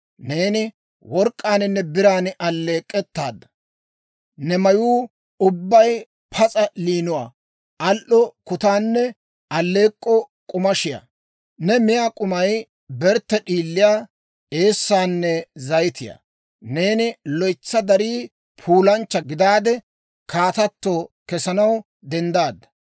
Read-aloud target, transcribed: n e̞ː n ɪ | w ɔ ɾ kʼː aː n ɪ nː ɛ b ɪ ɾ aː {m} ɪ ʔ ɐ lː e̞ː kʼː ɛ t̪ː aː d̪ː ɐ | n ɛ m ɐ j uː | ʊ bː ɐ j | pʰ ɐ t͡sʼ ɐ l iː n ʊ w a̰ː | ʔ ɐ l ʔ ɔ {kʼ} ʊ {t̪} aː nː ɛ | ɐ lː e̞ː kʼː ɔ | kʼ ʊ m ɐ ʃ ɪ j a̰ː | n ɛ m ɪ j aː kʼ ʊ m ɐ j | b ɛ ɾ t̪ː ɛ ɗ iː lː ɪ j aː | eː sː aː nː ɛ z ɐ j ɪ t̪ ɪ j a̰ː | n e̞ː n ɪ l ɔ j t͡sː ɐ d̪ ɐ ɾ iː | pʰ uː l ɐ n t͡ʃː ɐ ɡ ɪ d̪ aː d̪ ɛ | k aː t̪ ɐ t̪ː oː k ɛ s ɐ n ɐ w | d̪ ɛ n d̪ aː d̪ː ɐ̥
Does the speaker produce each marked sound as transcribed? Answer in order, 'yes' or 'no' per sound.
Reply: no, no, yes

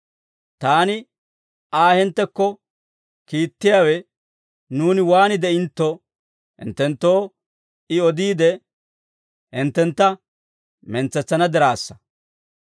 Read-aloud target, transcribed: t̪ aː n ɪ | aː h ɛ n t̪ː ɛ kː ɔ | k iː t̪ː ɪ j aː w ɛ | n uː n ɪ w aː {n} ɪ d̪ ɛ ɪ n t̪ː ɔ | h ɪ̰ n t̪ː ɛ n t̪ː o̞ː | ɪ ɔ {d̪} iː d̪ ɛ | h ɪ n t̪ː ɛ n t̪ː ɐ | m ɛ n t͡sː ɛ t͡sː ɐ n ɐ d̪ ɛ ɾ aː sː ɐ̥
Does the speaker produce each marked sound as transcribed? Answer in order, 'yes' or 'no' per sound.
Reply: yes, yes

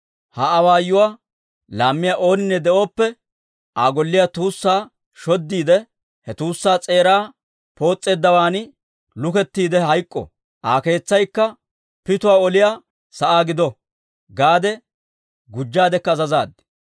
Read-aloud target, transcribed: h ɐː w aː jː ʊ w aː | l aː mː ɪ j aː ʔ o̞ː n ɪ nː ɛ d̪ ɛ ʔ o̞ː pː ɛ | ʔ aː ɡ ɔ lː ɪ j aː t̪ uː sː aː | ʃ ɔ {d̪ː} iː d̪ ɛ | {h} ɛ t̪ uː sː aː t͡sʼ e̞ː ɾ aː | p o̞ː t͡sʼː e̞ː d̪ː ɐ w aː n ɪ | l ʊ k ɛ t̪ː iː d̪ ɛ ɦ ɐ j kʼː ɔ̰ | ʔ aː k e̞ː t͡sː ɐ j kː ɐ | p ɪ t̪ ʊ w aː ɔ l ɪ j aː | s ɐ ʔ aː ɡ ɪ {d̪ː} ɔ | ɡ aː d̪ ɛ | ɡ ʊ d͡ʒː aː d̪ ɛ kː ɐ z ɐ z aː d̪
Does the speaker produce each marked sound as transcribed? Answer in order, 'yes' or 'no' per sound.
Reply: yes, yes, no

